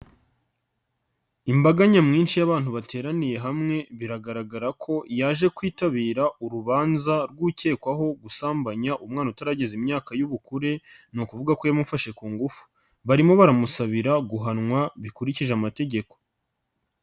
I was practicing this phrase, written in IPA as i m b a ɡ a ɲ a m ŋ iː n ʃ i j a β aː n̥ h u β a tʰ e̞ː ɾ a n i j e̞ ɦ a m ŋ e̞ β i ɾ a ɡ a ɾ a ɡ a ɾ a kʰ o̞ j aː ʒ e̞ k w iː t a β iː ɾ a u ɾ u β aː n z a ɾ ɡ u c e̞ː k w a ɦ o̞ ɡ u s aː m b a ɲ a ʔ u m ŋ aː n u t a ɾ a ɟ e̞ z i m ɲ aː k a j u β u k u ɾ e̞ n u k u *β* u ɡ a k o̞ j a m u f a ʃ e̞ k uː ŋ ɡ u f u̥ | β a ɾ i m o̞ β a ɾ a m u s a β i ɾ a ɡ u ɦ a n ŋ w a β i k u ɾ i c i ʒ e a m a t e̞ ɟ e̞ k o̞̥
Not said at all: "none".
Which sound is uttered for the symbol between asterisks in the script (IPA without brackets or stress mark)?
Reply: v